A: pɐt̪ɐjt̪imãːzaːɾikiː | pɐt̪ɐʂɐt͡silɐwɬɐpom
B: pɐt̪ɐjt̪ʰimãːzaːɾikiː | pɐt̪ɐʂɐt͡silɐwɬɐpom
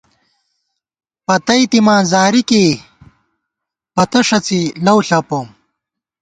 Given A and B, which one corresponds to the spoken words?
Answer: A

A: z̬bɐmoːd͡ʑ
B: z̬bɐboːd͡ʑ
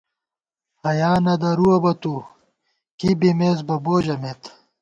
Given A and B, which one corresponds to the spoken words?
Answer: B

